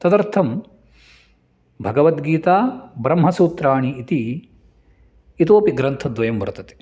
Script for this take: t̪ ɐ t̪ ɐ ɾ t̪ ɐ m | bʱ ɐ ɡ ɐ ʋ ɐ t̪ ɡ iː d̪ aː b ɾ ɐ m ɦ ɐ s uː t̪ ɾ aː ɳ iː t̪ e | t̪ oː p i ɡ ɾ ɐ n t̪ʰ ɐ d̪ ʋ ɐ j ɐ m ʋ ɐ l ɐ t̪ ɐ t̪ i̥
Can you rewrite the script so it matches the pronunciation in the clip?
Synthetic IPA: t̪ ɐ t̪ ɐ ɾ t̪ʰ ɐ m | bʱ ɐ ɡ ɐ ʋ ɐ t̪ ɡ iː t̪ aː b ɾ ɐ m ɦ ɐ s uː t̪ ɾ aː ɳ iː t̪ i | t̪ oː p i ɡ ɾ ɐ n t̪ʰ ɐ d̪ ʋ ɐ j ɐ m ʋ ɐ ɾ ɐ t̪ ɐ t̪ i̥